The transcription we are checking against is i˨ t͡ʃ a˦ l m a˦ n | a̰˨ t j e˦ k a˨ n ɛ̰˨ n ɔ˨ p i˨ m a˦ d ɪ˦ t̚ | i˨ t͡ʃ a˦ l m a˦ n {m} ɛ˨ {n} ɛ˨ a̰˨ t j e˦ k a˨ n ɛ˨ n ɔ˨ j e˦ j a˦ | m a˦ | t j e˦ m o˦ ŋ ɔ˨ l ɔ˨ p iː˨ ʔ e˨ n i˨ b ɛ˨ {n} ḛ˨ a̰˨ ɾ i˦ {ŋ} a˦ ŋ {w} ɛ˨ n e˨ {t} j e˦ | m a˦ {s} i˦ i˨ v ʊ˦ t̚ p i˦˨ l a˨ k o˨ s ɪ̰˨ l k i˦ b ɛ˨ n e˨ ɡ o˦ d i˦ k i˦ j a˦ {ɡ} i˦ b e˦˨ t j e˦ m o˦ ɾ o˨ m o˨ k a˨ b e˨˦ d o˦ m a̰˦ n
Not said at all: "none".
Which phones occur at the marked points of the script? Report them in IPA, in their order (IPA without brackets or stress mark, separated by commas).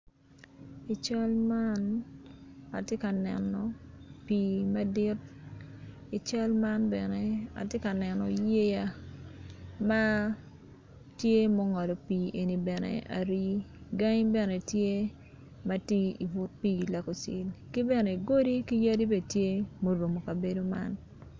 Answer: b, n, n, ɡ, b, t, t, d